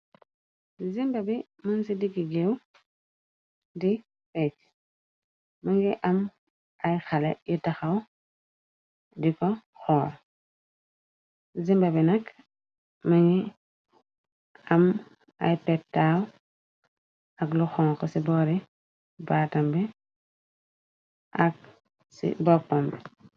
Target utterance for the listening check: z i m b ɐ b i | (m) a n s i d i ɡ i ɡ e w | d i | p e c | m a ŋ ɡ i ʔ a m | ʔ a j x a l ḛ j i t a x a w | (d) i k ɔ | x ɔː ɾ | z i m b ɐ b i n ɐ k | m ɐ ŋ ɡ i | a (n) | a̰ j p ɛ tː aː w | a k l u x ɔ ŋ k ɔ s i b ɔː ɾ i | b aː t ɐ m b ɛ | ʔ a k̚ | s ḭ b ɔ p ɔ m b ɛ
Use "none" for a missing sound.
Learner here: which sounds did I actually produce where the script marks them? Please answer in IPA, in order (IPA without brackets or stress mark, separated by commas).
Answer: m, d, m